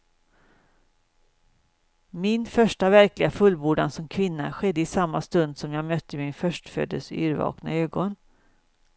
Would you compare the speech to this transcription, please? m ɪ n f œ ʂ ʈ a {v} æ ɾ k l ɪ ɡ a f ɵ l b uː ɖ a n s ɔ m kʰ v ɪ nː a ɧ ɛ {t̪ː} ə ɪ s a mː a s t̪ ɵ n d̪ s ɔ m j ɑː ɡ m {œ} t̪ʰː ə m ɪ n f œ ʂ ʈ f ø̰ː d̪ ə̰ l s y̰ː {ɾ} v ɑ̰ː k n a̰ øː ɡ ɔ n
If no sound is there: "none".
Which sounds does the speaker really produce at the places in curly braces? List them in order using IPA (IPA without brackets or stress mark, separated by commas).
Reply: v, d̪ː, œ, ɾ